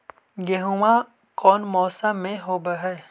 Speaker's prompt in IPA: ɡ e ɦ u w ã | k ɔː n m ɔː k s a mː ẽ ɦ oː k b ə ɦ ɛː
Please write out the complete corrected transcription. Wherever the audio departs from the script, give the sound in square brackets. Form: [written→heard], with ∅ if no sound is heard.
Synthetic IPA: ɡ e ɦ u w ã | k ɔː n m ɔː [k→∅] s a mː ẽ ɦ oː [k→∅] b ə ɦ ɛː